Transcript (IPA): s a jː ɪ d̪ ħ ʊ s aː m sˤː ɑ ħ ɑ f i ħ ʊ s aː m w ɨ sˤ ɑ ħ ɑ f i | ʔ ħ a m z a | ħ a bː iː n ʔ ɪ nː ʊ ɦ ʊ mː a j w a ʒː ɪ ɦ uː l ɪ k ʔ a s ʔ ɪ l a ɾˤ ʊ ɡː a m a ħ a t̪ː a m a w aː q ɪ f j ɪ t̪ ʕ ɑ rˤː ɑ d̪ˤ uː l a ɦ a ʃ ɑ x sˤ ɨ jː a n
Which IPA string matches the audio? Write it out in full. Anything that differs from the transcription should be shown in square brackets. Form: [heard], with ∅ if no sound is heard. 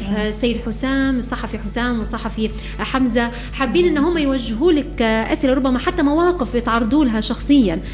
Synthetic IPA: s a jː ɪ d̪ ħ ʊ s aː m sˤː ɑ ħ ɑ f i ħ ʊ s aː m w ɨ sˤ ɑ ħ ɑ f i | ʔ ħ a m z a | ħ a bː iː n ʔ ɪ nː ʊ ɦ ʊ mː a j w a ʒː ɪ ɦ uː l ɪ k ʔ a s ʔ ɪ l a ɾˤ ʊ [bː] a m a ħ a t̪ː a m a w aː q ɪ f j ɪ t̪ ʕ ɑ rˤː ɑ d̪ˤ uː l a ɦ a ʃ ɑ x sˤ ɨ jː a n